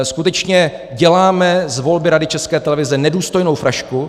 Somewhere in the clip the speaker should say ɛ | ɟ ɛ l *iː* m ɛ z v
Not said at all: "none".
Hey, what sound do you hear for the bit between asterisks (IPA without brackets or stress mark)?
aː